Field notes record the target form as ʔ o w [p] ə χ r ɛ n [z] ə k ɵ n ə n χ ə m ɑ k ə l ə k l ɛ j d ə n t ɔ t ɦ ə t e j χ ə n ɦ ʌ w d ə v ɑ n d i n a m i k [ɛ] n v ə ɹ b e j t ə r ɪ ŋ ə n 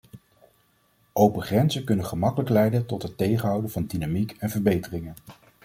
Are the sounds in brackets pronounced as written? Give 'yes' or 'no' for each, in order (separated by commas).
yes, yes, yes